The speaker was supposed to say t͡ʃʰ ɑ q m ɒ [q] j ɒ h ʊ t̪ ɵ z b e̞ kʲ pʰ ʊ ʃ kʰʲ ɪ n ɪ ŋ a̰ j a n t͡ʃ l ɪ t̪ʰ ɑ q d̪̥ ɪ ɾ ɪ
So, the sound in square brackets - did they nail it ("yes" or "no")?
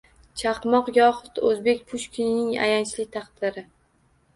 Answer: yes